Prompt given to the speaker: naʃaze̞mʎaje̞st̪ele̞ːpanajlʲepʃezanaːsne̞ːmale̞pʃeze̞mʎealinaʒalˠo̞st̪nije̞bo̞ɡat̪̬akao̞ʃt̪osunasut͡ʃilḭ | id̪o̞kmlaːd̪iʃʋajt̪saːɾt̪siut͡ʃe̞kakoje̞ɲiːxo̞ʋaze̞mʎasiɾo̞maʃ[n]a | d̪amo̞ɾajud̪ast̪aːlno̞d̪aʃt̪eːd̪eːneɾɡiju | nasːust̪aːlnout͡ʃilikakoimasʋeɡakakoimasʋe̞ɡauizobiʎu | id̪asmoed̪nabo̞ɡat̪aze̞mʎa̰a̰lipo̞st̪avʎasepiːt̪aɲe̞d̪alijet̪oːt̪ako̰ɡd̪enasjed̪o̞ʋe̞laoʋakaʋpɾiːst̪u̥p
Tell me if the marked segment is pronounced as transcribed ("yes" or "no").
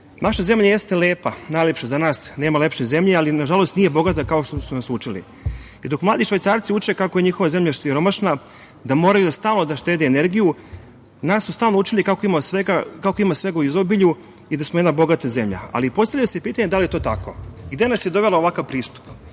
yes